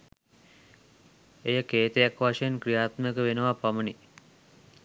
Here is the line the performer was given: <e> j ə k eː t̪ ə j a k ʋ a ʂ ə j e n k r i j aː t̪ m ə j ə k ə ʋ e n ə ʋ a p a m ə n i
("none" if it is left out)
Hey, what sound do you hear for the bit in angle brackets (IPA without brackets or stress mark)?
e